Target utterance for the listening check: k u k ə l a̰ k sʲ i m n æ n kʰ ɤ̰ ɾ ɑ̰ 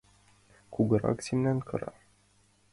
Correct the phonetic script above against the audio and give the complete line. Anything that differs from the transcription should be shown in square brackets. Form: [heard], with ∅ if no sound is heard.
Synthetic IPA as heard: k u [ɡ] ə [ɾ] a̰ k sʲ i m n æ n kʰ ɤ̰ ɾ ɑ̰